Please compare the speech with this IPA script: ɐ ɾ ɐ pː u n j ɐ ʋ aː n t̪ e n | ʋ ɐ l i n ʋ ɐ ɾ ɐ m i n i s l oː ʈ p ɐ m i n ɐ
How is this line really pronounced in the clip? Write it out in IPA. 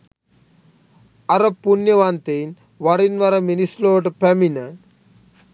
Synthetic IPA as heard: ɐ ɾ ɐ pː u n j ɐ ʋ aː n t̪ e n | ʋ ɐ ɾ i n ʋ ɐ ɾ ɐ m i n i s l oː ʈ p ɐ m i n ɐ